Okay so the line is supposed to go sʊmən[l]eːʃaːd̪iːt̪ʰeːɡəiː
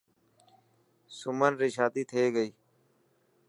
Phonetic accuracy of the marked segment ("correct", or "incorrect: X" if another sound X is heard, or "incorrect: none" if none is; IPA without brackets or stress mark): incorrect: ɾ